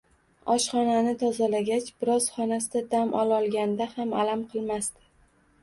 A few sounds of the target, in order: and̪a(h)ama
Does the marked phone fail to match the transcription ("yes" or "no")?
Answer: no